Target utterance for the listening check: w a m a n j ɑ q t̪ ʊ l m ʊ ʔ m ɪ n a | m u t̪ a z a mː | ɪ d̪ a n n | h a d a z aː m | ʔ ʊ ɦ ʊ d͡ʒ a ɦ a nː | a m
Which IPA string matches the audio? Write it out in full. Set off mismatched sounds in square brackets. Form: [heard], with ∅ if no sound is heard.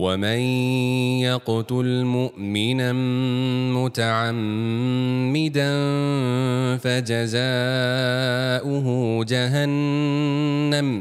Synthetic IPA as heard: w a m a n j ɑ q t̪ ʊ l m ʊ ʔ m ɪ n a | m [ʊ] t̪ a [ʕ] a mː | ɪ d̪ a n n | [f] a [d͡ʒ] a z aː [∅] | ʔ ʊ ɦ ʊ d͡ʒ a ɦ a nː | a m